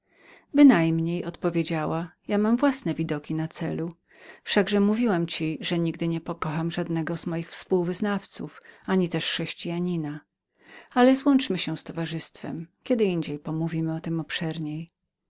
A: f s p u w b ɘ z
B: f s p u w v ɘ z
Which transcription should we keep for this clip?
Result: B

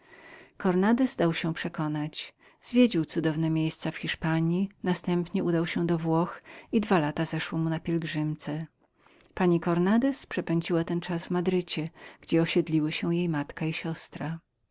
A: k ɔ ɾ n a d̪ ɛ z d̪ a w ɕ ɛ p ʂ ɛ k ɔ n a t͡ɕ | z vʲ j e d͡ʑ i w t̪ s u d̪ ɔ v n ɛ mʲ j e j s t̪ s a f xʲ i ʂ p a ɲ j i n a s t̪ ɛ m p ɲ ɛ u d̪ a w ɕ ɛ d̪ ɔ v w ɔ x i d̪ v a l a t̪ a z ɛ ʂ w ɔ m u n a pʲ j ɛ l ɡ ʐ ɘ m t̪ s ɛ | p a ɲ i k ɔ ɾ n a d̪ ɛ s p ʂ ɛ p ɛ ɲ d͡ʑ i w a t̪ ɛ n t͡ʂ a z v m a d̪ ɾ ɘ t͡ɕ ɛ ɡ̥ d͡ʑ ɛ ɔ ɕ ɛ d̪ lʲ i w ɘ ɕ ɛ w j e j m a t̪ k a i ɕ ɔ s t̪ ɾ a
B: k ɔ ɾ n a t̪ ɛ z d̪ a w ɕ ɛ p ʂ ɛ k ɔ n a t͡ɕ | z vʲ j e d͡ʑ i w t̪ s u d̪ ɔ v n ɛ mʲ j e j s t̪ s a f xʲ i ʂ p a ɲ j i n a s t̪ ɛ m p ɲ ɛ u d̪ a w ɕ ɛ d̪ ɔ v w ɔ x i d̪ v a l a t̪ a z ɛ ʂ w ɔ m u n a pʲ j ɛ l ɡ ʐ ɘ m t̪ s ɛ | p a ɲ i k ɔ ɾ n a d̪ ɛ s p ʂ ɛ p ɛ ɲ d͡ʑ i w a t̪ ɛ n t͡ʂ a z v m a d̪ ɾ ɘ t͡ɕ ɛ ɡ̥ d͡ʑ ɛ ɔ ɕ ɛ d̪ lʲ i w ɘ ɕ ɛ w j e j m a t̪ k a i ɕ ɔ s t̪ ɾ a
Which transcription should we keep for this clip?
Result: A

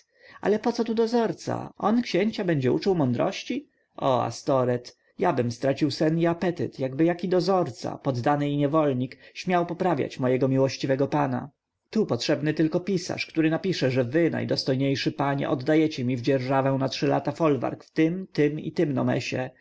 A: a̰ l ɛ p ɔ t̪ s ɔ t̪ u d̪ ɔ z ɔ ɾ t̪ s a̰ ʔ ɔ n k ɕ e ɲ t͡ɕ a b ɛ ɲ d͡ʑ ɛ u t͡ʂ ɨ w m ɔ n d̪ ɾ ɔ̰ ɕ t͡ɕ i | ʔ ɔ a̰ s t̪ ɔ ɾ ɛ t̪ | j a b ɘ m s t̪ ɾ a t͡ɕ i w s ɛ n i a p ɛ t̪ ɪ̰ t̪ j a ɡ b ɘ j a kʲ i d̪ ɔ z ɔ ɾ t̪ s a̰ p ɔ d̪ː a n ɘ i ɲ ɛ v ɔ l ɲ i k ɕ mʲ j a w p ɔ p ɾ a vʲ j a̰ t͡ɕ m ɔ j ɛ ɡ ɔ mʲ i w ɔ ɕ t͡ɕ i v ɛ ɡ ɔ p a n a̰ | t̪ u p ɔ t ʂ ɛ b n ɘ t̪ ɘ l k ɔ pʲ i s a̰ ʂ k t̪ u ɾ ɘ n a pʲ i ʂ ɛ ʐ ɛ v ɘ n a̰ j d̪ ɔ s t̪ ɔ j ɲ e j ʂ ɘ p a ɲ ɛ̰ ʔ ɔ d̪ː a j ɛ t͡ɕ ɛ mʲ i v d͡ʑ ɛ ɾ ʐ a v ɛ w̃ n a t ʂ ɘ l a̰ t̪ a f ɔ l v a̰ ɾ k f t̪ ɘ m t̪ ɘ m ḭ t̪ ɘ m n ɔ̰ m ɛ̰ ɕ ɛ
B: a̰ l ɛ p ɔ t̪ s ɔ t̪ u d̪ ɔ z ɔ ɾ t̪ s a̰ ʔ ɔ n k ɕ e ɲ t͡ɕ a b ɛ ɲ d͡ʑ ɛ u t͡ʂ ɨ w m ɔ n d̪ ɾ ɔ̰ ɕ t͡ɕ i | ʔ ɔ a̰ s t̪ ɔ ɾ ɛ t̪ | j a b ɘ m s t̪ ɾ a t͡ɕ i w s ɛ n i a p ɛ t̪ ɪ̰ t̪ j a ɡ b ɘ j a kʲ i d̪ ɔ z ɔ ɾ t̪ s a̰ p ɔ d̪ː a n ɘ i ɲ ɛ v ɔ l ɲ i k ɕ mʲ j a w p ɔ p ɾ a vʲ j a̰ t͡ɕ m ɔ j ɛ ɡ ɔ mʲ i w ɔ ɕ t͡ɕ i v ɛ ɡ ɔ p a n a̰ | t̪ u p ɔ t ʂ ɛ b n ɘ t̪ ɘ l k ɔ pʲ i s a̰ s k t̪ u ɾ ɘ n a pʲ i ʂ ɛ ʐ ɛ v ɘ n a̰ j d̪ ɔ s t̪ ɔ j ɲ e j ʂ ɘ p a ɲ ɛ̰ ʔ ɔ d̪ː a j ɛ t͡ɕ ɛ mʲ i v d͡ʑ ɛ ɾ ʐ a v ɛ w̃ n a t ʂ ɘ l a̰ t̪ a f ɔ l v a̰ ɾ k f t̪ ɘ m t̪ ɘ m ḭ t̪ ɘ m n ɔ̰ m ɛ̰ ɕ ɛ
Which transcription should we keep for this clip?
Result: A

